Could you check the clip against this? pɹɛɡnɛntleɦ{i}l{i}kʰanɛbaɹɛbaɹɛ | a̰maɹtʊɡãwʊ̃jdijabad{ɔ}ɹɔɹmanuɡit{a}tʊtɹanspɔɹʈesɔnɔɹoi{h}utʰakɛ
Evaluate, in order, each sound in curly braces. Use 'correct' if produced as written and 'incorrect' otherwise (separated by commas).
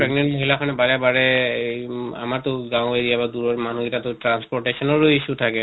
correct, incorrect, incorrect, correct, incorrect